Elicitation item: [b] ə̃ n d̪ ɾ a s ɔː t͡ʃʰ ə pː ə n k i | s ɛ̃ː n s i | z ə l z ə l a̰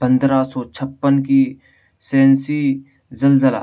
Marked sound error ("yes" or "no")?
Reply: yes